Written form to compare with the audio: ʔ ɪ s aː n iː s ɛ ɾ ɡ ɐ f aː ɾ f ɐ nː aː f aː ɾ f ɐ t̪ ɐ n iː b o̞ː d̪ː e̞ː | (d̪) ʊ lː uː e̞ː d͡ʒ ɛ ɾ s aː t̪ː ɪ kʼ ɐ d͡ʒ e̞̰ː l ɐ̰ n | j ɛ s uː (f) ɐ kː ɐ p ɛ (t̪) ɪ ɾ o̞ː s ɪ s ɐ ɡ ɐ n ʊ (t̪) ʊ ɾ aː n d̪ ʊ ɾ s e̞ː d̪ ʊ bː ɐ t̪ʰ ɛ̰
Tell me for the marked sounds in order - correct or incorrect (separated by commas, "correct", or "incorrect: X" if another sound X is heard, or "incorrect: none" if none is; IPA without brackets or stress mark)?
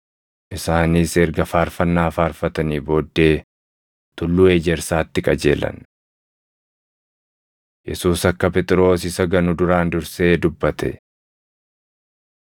incorrect: t̪, incorrect: s, incorrect: t̪ʼ, incorrect: d̪